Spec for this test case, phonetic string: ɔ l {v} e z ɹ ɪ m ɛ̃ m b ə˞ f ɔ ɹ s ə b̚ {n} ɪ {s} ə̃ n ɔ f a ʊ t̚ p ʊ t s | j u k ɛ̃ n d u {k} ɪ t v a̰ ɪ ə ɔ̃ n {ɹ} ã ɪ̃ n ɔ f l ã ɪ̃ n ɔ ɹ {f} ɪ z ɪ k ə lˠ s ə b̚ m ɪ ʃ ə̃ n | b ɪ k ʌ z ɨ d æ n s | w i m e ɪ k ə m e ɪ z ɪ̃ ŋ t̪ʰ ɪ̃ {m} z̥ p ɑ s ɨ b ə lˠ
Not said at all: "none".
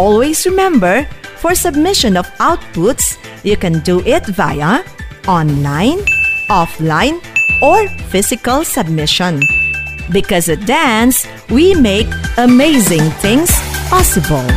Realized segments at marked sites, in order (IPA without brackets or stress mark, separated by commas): w, m, ʃ, ʔ, l, f, ŋ